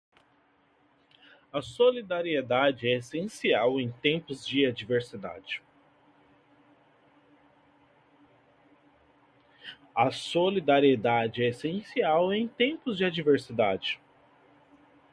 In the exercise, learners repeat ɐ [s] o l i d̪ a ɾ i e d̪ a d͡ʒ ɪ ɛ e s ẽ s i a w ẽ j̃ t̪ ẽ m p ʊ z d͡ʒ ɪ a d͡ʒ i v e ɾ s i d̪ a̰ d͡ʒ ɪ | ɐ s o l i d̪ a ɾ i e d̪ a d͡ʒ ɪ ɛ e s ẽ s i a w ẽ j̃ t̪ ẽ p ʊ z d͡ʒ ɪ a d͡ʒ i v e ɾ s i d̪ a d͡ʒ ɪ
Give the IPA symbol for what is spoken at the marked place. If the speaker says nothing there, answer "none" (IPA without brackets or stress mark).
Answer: s